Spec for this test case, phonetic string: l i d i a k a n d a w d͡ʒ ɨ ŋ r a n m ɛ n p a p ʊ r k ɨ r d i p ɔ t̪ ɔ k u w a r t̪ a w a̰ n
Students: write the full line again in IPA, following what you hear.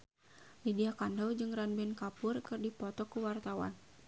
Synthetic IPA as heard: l i d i a k a n d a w d͡ʒ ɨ ŋ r a n b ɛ n k a p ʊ r k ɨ r d i p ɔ t̪ ɔ k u w a r t̪ a w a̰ n